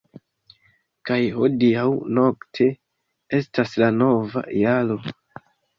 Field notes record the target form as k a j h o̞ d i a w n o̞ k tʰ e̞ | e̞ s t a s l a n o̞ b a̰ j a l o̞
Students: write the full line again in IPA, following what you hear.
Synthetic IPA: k a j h o̞ d i a w n o̞ k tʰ e̞ | e̞ s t a s l a n o̞ v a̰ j a l o̞